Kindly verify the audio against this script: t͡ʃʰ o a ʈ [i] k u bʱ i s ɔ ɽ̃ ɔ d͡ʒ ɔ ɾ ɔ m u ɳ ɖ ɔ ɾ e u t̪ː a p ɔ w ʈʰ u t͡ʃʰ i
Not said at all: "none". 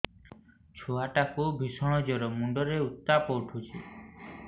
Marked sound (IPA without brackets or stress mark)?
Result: a